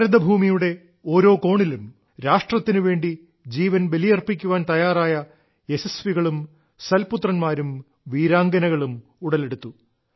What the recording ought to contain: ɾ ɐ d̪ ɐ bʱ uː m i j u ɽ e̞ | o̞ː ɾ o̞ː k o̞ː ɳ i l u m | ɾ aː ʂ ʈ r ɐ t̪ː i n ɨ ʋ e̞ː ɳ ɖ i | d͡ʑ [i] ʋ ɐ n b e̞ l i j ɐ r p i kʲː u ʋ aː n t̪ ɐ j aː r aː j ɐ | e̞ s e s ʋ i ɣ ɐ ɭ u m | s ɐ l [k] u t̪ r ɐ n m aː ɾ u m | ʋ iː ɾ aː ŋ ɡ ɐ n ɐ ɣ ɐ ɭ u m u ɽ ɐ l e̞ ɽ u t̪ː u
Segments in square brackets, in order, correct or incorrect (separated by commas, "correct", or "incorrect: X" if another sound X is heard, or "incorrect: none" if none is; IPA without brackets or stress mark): incorrect: iː, incorrect: p